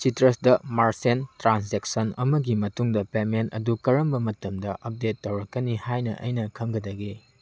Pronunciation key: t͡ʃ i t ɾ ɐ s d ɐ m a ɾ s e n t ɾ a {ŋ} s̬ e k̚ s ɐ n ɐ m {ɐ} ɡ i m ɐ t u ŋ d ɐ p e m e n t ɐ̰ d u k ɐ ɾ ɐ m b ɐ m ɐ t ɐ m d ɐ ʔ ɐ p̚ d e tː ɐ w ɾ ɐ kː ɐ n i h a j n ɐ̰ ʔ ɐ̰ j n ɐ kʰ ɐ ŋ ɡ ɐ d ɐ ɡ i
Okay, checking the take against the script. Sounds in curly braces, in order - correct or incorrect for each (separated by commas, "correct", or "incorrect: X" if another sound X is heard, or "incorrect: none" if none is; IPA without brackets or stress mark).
incorrect: n, correct